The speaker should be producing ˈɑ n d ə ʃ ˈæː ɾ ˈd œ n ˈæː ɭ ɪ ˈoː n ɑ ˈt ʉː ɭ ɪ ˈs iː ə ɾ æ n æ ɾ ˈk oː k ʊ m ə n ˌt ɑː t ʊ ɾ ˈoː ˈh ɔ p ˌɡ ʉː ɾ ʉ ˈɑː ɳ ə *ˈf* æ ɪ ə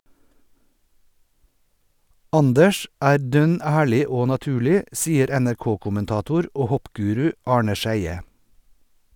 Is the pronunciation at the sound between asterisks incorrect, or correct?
incorrect